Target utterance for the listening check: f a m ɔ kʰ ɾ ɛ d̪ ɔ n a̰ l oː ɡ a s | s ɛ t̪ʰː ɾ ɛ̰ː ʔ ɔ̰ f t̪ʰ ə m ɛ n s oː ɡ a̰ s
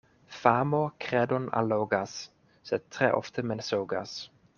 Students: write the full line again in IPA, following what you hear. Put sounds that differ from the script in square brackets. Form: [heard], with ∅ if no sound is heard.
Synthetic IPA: f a m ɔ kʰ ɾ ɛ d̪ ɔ n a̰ l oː ɡ a s | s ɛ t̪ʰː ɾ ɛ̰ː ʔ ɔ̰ f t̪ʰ ə m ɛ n s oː ɡ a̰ s

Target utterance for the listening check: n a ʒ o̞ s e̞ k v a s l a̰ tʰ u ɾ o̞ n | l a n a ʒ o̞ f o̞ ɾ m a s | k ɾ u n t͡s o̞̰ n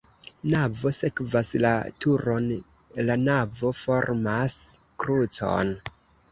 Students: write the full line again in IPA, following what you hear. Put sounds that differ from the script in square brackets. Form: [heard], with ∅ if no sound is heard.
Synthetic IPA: n a [v] o̞ s e̞ k v a s l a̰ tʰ u ɾ o̞ n | l a n a [v] o̞ f o̞ ɾ m a s | k ɾ u [∅] t͡s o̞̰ n

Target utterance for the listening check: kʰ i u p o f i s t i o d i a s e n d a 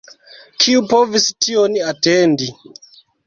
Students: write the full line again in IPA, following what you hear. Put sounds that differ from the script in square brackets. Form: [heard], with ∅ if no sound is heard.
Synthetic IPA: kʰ i u p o [v] i s t i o [n] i a [t] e n d [i]

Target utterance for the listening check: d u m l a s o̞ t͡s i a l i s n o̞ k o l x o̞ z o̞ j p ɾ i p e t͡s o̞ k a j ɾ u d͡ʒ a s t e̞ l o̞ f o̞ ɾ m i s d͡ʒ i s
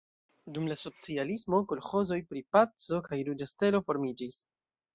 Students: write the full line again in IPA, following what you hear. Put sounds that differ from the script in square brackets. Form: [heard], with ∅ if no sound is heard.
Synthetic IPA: d u m l a s o̞ t͡s i a l i s [m] o̞ k o l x o̞ z o̞ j p ɾ i p [a] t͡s o̞ k a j ɾ u d͡ʒ a s t e̞ l o̞ f o̞ ɾ m i [∅] d͡ʒ i s

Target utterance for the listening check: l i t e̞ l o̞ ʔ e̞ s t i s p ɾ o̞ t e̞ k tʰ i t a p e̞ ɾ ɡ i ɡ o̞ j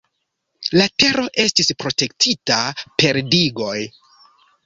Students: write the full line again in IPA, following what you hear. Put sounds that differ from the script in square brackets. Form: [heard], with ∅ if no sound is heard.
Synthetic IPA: l [a] t e̞ [ɾ] o̞ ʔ e̞ s t i s p ɾ o̞ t e̞ k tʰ i t a p e̞ ɾ [d] i ɡ o̞ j

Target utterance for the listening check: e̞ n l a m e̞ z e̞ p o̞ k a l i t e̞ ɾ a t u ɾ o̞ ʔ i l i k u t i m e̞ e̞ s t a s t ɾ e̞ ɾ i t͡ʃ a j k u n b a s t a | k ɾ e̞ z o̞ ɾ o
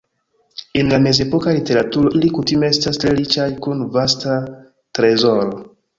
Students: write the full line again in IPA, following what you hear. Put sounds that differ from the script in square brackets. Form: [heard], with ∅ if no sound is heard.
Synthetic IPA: e̞ n l a m e̞ z e̞ p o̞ k a l i t e̞ ɾ a t u ɾ o̞ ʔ i l i k u t i m e̞ e̞ s t a s t ɾ e̞ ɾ i t͡ʃ a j k u n [v] a s t a | [t] ɾ e̞ z o̞ ɾ o

